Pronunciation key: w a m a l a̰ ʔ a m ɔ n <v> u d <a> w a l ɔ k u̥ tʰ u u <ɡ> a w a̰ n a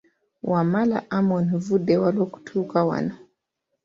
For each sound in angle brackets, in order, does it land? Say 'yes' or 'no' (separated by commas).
yes, no, no